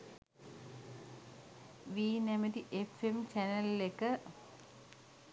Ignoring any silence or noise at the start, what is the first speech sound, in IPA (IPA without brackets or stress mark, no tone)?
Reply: ʋ